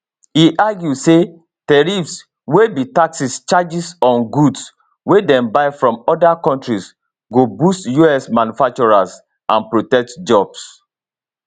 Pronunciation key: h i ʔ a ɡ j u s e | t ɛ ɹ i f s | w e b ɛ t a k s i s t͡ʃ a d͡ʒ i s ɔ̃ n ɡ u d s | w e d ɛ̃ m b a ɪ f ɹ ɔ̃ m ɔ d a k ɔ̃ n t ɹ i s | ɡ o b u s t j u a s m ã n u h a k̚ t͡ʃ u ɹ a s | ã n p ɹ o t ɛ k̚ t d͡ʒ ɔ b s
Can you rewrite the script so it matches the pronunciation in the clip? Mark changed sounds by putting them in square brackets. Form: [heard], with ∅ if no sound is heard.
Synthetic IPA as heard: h i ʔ a ɡ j u s e | t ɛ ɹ i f s | w e b [i] t a k s i s t͡ʃ a d͡ʒ i s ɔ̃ n ɡ u d s | w e d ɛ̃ m b a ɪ f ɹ ɔ̃ m ɔ d a k ɔ̃ n t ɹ i s | ɡ o b u s t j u [ɛ] s m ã n u [f] a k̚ t͡ʃ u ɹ a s | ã n p ɹ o t ɛ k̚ t d͡ʒ ɔ b s